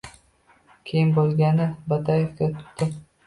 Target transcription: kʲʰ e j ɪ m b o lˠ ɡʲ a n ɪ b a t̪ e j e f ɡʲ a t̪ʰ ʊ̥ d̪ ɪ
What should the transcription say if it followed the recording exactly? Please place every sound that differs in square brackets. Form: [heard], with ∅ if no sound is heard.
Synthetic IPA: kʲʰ e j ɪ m b o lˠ ɡʲ a n ɪ b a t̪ [a] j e f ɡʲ a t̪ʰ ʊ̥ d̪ ɪ